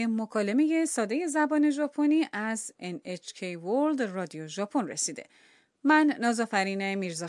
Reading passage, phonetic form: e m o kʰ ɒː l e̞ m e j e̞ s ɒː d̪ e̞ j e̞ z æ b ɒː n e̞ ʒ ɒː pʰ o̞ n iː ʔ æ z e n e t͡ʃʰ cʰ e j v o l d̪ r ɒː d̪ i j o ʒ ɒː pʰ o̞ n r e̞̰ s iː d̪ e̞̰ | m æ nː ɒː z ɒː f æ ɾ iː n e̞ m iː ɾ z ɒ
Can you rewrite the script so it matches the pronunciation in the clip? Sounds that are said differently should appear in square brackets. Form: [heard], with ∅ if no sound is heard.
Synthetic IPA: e m o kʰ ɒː l e̞ m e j e̞ s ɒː d̪ e̞ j e̞ z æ b ɒː n e̞ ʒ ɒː pʰ o̞ n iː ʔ æ z e n e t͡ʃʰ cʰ e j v o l d̪ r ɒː d̪ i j o ʒ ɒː pʰ o̞ n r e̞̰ s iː d̪ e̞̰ | m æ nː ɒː z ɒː f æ ɾ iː n e̞ m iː ɾ z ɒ